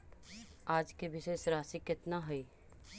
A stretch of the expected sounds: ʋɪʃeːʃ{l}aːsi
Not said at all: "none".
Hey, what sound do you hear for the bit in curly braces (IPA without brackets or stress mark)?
ɾ